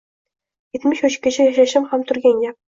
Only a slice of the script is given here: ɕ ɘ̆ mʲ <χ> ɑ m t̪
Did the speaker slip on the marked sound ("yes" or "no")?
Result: no